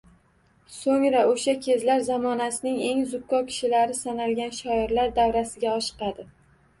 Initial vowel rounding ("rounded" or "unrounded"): rounded